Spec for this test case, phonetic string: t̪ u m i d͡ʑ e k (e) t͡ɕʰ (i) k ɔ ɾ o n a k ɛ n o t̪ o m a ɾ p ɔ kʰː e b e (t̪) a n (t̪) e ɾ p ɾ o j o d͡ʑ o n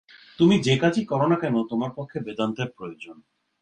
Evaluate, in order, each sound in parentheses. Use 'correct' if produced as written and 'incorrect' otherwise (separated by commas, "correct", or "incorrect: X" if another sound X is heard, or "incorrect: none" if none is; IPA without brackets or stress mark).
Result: incorrect: a, correct, incorrect: d̪, correct